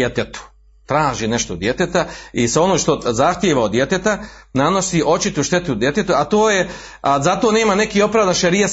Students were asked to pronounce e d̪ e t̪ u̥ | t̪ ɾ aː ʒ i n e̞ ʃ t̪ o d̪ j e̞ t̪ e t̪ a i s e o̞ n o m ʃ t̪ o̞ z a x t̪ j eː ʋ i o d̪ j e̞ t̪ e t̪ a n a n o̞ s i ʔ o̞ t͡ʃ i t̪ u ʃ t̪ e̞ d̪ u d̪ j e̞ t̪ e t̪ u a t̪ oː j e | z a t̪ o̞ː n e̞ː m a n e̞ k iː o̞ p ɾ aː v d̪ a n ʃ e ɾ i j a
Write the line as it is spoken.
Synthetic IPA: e t̪ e t̪ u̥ | t̪ ɾ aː ʒ i n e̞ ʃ t̪ o d̪ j e̞ t̪ e t̪ a i s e o̞ n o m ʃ t̪ o̞ z a x t̪ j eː ʋ a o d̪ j e̞ t̪ e t̪ a n a n o̞ s i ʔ o̞ t͡ʃ i t̪ u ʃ t̪ e̞ t̪ u d̪ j e̞ t̪ e t̪ u a t̪ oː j e | z a t̪ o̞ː n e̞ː m a n e̞ k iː o̞ p ɾ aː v d̪ a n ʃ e ɾ i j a